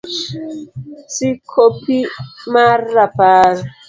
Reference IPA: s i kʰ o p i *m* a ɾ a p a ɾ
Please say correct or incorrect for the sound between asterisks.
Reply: correct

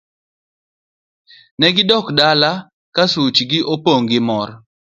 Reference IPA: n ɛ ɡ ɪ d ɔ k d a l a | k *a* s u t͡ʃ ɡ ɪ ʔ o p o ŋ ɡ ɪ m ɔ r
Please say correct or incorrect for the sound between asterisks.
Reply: correct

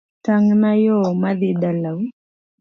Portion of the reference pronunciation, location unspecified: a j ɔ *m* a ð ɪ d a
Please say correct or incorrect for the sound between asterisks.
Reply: correct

